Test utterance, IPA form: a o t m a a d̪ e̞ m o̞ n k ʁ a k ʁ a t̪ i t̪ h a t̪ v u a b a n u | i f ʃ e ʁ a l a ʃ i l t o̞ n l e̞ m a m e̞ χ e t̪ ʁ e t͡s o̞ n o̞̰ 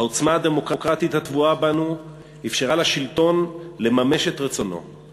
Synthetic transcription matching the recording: a o t͡s m a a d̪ e̞ m o̞ k ʁ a k ʁ a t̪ i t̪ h a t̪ v u a b a n u | i f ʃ e ʁ a l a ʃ i l t o̞ n l e̞ m a m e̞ ʃ e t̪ ʁ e t͡s o̞ n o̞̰